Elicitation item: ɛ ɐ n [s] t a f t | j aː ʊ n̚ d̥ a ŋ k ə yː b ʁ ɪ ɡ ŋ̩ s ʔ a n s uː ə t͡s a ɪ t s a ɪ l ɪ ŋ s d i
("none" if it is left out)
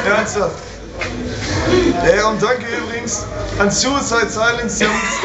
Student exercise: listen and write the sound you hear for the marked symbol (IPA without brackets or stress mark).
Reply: s